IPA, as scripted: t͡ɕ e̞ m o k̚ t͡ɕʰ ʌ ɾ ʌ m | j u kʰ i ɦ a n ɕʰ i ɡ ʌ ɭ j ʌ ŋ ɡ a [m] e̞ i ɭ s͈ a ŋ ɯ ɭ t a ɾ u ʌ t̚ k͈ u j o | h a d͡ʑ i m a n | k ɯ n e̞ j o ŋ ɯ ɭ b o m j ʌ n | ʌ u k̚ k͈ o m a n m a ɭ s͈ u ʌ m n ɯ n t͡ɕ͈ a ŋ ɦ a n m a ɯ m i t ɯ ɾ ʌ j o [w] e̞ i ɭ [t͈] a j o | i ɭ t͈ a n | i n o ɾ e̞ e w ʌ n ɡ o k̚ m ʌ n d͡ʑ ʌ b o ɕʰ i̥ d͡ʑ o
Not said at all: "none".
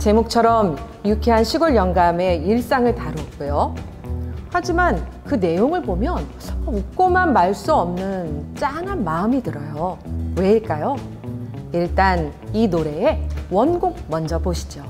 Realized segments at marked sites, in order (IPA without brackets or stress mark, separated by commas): m, w, k͈